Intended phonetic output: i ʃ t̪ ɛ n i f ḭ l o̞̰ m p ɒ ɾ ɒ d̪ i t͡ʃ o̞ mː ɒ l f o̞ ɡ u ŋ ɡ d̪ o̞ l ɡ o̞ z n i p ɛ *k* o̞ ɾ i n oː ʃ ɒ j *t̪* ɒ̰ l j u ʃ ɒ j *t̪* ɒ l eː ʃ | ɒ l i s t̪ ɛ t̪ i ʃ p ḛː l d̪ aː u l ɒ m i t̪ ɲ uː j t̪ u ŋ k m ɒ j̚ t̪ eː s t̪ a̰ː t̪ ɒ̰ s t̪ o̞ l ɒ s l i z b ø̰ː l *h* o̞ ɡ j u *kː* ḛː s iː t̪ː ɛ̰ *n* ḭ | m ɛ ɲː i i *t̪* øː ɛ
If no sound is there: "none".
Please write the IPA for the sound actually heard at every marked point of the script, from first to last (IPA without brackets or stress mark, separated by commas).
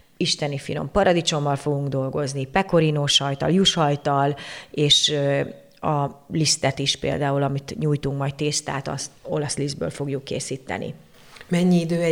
k, t̪, t̪, f, kː, n, d̪